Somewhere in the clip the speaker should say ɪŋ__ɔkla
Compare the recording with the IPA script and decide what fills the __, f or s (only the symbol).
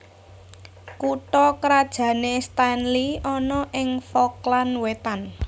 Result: f